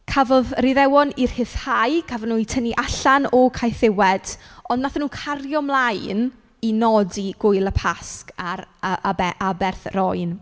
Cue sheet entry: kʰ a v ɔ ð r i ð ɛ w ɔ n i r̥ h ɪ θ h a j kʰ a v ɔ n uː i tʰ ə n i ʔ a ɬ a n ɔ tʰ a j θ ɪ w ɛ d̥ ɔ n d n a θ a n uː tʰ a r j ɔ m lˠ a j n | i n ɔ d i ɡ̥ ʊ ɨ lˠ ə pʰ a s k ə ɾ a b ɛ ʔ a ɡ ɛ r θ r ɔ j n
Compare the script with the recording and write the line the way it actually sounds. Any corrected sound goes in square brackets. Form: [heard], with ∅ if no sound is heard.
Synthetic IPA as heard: kʰ a v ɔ ð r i ð ɛ w ɔ n i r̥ h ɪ θ h a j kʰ a v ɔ n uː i tʰ ə n i ʔ a ɬ a n ɔ [kʰ] a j θ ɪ w ɛ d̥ ɔ n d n a θ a n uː [kʰ] a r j ɔ m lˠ a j n | i n ɔ d i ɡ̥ ʊ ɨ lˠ ə pʰ a s k [a] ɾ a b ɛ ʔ a [b] ɛ r θ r ɔ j n